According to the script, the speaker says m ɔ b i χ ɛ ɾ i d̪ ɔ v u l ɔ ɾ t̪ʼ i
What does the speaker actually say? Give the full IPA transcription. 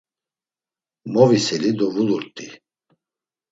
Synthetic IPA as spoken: m ɔ v i s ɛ l i d̪ ɔ v u l u ɾ t̪ʼ i